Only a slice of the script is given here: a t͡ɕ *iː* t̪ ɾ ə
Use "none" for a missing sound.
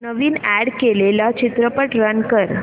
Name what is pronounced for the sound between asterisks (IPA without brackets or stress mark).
i